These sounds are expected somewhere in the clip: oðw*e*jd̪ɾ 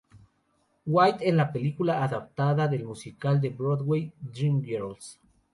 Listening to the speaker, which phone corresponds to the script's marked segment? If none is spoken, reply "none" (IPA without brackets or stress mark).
e